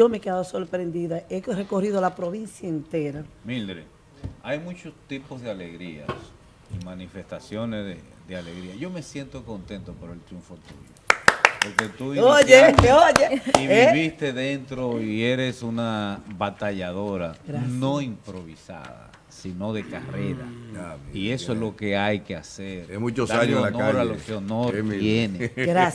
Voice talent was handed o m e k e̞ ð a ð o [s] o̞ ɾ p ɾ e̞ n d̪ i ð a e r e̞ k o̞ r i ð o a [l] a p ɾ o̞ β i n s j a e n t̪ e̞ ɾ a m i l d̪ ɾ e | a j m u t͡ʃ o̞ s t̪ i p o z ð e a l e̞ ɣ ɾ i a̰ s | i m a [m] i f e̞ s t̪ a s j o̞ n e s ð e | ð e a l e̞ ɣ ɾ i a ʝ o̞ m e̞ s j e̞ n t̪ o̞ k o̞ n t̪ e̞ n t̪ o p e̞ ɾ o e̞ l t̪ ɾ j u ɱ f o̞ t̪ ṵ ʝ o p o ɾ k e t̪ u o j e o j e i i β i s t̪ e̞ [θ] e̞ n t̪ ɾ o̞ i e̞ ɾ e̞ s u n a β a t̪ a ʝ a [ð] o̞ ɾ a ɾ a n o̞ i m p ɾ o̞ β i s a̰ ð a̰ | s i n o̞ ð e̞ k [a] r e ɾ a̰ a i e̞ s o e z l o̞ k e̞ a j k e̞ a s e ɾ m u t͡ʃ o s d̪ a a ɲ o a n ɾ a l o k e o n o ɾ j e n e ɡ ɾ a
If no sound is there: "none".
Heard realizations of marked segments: s, l, n, ð, ð, a

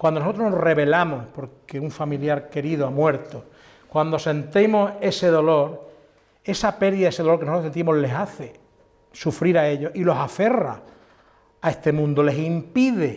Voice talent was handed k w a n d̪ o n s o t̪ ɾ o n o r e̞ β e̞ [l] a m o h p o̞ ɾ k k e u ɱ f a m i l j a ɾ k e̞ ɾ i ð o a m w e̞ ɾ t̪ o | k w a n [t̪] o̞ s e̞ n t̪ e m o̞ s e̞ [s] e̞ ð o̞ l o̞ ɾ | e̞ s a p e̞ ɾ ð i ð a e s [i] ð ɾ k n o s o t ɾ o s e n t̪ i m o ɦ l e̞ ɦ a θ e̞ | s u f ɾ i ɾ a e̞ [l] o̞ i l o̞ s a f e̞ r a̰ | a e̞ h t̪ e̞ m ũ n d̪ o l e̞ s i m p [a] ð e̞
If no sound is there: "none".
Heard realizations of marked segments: l, d̪, s, e, ʎ, i

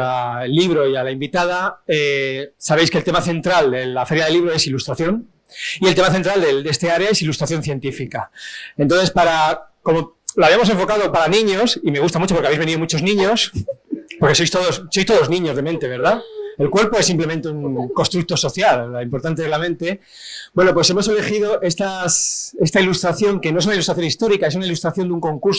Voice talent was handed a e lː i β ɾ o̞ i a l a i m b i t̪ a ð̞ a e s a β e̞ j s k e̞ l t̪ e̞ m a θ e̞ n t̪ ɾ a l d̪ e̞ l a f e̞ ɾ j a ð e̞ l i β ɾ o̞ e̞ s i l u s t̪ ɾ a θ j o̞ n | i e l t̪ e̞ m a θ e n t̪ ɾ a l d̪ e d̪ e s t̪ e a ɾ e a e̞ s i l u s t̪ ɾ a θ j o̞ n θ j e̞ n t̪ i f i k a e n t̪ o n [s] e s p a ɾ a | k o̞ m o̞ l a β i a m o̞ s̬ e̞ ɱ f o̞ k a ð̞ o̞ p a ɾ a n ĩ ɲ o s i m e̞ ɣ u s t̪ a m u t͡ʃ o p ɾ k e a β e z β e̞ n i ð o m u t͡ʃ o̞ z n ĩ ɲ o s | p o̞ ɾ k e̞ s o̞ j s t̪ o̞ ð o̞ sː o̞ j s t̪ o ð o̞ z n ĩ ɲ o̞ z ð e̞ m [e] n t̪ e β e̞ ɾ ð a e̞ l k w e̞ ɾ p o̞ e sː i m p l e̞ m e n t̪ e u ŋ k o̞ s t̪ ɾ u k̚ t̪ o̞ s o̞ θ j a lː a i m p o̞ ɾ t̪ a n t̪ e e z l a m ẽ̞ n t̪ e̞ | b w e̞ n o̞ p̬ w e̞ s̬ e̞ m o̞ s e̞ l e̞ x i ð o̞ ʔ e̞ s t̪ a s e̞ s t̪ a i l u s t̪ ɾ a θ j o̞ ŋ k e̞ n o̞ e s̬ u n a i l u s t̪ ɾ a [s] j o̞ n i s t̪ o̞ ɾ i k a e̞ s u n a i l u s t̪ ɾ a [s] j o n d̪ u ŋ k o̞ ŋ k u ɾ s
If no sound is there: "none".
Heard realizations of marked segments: θ, ẽ, θ, θ

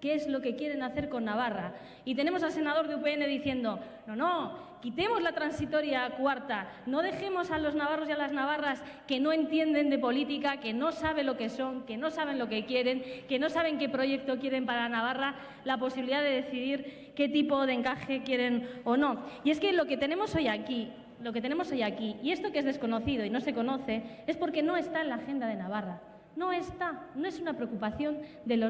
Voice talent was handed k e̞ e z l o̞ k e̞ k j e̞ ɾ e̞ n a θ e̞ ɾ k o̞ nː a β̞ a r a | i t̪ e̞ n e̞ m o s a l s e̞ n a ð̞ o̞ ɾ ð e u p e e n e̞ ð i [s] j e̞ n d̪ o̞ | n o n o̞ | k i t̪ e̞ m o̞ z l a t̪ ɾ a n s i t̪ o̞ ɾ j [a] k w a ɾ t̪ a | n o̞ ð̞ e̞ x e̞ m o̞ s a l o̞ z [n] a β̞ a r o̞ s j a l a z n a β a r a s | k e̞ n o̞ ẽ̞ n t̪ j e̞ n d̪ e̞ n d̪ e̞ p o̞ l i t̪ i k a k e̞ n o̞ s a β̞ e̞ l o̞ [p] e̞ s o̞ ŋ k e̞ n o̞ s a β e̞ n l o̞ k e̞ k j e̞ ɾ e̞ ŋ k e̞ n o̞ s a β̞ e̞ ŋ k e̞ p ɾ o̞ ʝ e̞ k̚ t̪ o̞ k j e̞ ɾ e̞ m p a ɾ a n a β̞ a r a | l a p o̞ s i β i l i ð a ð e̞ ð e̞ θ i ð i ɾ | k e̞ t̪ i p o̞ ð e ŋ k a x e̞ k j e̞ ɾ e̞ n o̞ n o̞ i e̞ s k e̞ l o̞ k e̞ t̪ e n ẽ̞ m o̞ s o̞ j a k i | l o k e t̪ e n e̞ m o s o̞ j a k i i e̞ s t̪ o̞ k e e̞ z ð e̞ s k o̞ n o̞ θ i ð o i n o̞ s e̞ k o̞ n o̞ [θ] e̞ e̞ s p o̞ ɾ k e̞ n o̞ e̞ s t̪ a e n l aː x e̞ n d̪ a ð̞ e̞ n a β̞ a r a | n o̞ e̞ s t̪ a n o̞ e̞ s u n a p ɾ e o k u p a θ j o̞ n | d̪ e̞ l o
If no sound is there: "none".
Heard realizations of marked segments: θ, a, n, k, θ

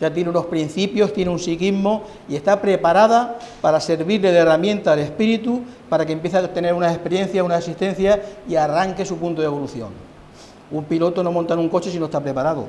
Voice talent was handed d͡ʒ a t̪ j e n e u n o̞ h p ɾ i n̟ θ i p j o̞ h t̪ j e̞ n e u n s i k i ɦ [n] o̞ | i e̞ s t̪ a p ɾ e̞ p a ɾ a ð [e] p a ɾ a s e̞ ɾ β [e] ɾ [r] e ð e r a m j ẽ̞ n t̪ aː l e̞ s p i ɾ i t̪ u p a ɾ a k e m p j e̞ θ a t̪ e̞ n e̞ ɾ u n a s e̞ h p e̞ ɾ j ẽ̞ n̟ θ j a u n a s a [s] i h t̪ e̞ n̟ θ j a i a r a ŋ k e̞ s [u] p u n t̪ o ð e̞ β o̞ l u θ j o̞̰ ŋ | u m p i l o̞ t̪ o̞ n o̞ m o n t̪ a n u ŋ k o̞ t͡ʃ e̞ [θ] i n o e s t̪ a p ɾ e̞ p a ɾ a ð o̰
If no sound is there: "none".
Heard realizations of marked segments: m, a, i, l, s, u, s

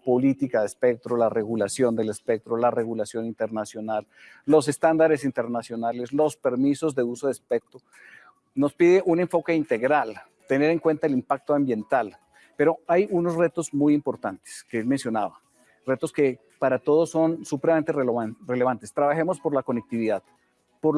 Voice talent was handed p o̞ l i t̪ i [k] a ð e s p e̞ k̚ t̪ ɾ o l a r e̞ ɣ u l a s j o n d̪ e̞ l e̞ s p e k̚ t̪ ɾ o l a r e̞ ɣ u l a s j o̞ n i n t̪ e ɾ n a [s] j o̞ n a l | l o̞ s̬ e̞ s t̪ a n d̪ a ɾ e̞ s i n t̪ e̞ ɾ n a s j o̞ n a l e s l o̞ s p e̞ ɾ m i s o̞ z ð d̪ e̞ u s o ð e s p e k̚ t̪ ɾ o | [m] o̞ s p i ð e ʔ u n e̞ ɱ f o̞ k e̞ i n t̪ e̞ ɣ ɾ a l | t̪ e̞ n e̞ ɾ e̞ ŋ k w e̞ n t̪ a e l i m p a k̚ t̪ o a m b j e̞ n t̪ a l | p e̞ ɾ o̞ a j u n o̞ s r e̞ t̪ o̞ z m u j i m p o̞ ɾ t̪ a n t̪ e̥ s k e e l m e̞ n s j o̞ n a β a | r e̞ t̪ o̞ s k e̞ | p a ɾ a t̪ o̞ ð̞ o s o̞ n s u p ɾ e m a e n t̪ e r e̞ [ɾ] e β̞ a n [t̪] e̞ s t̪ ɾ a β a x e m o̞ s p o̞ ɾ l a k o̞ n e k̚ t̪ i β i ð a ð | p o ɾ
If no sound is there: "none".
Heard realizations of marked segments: k, s, n, l, t̪

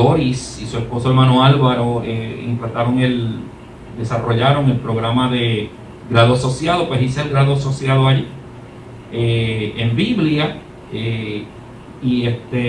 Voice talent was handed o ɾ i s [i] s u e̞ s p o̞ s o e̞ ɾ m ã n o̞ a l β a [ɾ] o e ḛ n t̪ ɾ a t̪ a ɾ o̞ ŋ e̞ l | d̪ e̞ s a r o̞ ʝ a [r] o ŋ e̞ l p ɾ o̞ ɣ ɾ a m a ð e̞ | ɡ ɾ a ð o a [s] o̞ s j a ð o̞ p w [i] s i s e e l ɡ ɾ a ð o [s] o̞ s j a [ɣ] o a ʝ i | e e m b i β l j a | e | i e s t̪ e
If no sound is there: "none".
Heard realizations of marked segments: i, ɾ, ɾ, s, e, s, ð

